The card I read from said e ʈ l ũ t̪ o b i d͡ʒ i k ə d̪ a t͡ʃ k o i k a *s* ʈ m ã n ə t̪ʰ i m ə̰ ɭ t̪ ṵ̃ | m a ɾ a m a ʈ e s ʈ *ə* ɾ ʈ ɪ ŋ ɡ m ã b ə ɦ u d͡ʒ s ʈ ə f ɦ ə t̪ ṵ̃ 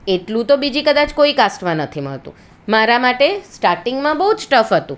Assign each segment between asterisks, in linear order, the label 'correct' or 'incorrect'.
correct, incorrect: a

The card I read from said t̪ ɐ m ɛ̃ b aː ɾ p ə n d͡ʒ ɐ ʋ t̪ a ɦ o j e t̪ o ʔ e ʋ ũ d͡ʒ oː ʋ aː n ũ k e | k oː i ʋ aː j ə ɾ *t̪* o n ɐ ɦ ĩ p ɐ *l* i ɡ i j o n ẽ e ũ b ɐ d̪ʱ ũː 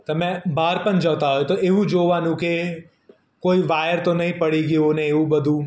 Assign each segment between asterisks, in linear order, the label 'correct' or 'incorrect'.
correct, incorrect: ɽ

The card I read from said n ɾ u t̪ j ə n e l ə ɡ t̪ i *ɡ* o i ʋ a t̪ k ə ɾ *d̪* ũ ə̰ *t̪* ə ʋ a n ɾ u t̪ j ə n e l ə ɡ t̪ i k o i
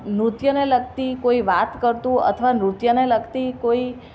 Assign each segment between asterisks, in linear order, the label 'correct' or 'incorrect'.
incorrect: k, incorrect: t̪, incorrect: t̪ʰ

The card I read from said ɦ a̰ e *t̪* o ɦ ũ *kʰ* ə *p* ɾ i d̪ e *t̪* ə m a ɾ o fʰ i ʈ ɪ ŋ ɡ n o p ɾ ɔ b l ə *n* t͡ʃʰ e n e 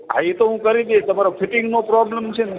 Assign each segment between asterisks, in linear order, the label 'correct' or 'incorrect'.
correct, incorrect: k, incorrect: none, correct, incorrect: m

